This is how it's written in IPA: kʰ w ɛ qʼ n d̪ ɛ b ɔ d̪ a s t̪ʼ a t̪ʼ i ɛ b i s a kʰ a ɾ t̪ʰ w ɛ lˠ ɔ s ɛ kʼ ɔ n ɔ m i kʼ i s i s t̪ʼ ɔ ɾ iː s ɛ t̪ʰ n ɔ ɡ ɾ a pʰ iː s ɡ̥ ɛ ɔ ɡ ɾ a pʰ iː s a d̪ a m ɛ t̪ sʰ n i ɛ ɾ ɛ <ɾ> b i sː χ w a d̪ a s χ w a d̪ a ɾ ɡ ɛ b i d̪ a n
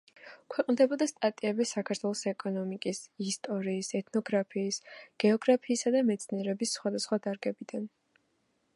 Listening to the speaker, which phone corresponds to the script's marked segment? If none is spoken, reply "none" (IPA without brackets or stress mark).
none